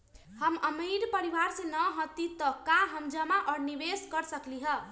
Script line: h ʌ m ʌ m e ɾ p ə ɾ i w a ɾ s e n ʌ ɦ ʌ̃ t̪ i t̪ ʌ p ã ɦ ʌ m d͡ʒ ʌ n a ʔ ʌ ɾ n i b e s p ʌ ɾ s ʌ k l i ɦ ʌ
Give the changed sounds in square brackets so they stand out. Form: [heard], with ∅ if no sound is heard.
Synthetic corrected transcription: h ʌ m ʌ m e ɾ p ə ɾ i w a ɾ s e n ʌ ɦ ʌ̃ t̪ i t̪ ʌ [k] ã ɦ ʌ m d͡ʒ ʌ [m] a ʔ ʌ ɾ n i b e s [k] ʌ ɾ s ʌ k l i ɦ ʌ